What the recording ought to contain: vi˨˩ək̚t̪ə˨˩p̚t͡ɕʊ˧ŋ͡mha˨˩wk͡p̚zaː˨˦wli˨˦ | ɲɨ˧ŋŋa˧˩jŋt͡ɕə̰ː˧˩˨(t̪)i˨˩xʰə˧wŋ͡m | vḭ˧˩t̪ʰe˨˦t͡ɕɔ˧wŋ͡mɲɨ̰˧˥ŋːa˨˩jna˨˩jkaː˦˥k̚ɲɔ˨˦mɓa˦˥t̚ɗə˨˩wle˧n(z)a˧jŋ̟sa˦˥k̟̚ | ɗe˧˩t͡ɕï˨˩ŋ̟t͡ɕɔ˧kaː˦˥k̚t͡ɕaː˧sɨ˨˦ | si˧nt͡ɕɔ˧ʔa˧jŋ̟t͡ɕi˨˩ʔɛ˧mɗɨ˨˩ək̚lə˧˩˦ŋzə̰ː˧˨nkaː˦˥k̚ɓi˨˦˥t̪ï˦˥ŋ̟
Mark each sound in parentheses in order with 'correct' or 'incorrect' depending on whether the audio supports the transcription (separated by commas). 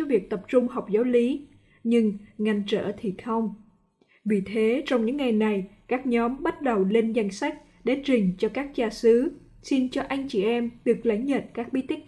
incorrect, correct